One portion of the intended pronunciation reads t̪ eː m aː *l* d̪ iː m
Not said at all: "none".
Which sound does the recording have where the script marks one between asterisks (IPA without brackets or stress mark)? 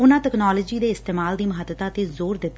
l